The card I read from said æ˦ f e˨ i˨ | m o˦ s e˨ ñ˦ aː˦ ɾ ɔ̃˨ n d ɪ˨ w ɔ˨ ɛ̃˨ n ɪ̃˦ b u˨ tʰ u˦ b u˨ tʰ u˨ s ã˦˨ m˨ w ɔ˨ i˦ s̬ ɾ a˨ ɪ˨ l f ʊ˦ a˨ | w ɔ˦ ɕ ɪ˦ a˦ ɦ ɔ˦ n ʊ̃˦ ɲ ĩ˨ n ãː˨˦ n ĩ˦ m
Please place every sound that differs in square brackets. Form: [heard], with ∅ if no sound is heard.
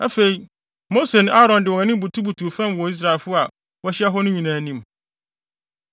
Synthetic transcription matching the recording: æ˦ f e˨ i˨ | m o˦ s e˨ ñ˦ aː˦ ɾ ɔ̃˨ n d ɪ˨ w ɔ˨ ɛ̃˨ n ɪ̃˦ b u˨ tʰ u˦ b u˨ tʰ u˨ [f] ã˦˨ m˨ w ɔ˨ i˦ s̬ ɾ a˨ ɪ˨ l f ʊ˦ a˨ | w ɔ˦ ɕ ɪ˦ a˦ ɦ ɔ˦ n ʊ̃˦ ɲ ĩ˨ n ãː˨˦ n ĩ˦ m